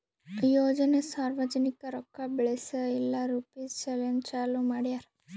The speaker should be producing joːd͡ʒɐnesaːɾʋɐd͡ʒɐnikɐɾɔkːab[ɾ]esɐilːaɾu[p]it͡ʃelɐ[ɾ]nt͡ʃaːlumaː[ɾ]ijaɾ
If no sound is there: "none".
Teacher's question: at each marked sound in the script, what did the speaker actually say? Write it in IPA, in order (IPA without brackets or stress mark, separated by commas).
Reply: ɭ, p, none, ɽ